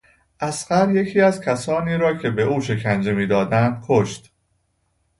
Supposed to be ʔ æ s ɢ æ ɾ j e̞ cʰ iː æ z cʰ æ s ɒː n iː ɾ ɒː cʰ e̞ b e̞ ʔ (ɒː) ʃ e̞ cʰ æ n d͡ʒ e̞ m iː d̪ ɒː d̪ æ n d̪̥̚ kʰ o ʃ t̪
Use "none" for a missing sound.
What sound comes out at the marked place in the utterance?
uː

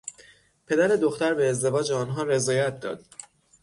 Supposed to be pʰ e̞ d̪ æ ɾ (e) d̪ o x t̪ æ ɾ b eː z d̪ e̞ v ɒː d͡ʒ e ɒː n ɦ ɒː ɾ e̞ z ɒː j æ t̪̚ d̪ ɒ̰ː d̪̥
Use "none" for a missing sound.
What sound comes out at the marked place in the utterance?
e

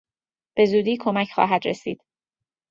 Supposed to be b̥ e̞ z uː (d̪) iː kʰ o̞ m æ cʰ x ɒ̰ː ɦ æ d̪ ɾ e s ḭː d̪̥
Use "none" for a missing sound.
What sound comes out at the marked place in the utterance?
d̪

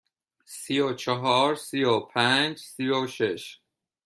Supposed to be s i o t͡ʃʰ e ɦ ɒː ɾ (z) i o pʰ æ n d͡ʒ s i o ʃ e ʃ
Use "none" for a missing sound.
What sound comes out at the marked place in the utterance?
s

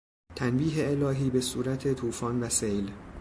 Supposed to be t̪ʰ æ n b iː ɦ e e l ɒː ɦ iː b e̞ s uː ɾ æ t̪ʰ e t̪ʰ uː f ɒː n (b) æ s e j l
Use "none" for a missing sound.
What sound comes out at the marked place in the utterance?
v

